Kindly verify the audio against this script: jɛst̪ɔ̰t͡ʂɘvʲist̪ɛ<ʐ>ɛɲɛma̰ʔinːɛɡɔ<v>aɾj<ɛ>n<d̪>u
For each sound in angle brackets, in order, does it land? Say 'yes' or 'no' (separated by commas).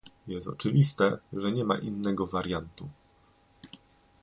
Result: yes, yes, no, no